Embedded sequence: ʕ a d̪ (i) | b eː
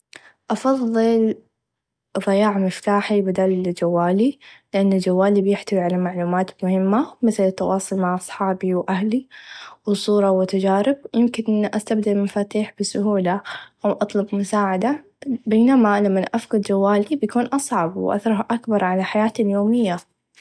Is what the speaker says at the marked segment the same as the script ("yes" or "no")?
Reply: no